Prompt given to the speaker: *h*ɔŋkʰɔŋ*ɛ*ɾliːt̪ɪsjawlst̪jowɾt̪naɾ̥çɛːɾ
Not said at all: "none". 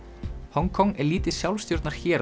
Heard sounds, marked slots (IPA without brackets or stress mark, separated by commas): h, ɛ